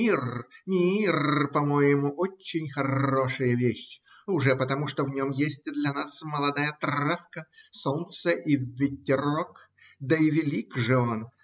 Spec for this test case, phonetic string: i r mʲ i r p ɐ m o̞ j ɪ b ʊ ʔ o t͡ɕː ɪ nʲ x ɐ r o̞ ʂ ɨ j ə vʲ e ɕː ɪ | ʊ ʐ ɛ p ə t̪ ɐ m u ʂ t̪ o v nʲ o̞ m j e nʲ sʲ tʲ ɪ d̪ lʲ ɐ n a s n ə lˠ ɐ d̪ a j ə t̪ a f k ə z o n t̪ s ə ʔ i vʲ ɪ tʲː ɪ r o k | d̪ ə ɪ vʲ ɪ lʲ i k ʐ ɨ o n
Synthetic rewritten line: i r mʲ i r p ɐ m o̞ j ɪ m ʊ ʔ o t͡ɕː ɪ nʲ x ɐ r o̞ ʂ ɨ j ə vʲ e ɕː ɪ | ʊ ʐ ɛ p ə t̪ ɐ m u ʂ t̪ o v nʲ o̞ m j e sʲ tʲ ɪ d̪ lʲ ɐ n a s m ə lˠ ɐ d̪ a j ə t̪ a f k ə s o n t̪ s ə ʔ i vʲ ɪ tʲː ɪ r o k | d̪ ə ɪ vʲ ɪ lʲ i k ʐ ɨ o n